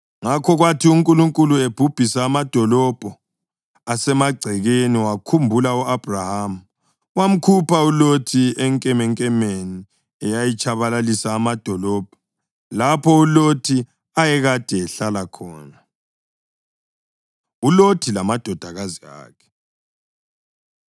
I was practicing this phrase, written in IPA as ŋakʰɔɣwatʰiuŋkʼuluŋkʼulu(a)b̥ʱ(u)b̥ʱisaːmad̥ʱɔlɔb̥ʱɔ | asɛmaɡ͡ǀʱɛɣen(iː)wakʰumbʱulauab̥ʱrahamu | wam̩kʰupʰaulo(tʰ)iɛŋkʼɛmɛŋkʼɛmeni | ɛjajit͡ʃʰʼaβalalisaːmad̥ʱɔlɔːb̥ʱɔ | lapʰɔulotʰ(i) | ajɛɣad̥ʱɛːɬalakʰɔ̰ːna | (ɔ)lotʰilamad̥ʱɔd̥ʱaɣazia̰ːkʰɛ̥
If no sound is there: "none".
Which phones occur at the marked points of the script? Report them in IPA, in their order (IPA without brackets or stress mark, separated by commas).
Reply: e, u, i, tʰ, i, u